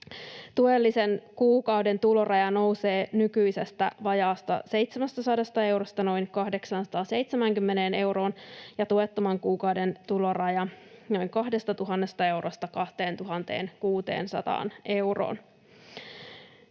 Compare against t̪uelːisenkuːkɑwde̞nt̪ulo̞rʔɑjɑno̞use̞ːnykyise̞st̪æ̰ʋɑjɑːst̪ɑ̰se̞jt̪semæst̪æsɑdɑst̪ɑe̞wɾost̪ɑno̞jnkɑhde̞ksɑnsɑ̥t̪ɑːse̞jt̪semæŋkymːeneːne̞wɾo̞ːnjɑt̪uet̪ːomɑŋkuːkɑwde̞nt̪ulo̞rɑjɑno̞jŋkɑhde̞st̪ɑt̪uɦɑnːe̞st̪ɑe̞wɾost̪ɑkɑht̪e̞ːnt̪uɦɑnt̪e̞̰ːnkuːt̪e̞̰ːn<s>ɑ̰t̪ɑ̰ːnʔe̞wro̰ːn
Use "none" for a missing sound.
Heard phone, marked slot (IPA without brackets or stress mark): s